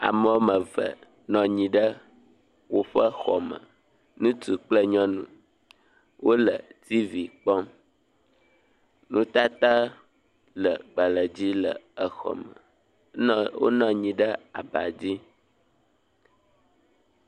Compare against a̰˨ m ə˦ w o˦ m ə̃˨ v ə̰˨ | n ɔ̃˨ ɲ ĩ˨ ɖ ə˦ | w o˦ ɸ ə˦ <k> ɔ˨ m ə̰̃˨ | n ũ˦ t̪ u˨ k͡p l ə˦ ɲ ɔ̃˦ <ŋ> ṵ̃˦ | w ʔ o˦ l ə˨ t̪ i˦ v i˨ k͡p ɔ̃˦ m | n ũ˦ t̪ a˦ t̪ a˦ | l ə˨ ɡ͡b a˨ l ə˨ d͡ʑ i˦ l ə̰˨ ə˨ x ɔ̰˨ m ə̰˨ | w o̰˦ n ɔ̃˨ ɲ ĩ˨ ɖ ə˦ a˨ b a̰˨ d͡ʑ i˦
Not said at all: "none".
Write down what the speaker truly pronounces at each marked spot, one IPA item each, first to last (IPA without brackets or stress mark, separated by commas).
x, n